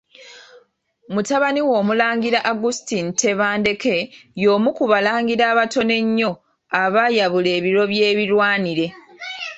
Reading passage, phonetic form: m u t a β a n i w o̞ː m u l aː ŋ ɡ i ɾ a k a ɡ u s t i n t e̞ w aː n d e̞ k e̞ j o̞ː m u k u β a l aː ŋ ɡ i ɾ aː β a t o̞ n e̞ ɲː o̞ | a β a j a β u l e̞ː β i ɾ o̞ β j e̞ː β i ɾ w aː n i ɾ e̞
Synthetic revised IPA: m u t a β a n i w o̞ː m u l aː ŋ ɡ i ɾ a ʔ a ɡ u s t i n t e̞ β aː n d e̞ k e̞ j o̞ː m u k u β a l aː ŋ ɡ i ɾ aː β a t o̞ n e̞ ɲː o̞ | a β a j a β u l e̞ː β i ɾ o̞ β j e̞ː β i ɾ w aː n i ɾ e̞